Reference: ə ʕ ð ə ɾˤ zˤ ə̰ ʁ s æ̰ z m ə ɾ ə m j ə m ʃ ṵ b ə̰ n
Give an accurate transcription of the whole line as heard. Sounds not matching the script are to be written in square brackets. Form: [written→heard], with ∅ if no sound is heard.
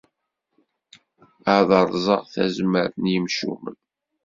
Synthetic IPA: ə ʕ ð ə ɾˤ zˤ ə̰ ʁ [s→θ] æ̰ z m ə ɾ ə [m→n] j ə m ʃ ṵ [b→m] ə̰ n

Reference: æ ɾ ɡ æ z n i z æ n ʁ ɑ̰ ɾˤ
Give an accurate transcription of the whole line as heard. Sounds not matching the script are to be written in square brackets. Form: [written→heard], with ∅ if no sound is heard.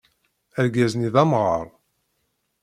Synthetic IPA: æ ɾ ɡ æ z n i [z→ð] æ [n→m] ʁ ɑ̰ ɾˤ

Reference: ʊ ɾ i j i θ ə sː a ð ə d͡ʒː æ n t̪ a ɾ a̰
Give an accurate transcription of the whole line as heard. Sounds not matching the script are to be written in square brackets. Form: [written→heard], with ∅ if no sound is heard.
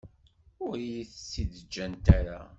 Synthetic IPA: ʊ ɾ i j i θ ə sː [a→i] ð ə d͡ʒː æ n t̪ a ɾ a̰

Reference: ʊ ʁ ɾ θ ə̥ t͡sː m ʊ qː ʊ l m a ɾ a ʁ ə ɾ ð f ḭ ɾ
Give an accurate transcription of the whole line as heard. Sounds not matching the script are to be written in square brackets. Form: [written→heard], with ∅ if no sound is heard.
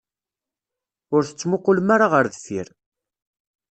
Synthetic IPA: ʊ [ʁ→∅] ɾ θ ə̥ t͡sː m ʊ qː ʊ l m a ɾ a ʁ ə ɾ ð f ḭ ɾ

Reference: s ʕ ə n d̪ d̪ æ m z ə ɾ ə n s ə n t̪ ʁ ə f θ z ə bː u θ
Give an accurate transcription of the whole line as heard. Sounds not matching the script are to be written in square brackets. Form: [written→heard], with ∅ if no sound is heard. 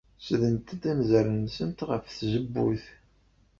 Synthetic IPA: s [ʕ→ð] ə n [d̪→t̪] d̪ æ m z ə ɾ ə n s ə n t̪ ʁ ə f θ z ə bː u θ

